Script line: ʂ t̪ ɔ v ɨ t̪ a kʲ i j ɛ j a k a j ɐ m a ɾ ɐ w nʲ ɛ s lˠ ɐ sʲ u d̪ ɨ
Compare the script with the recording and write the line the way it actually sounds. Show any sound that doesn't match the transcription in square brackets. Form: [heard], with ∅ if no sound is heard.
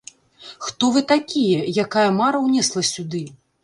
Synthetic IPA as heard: [x] t̪ ɔ v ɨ t̪ a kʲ i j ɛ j a k a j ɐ m a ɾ ɐ w nʲ ɛ s lˠ ɐ sʲ u d̪ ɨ